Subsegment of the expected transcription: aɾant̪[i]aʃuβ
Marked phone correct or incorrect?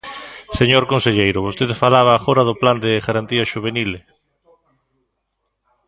correct